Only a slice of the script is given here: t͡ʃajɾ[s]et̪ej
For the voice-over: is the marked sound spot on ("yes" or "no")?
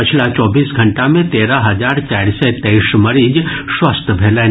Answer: yes